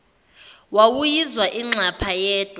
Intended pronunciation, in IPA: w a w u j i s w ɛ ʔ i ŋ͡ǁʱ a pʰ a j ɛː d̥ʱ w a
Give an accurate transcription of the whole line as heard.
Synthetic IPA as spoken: w a w u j i z w a ʔ i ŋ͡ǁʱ a pʰ a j ɛː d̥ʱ w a